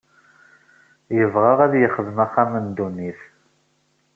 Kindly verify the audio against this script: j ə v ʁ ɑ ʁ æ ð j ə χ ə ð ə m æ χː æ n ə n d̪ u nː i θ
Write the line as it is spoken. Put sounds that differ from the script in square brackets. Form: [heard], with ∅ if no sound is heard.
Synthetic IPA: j ə v ʁ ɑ ʁ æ ð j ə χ ə ð ə m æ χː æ [m] ə n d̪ u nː i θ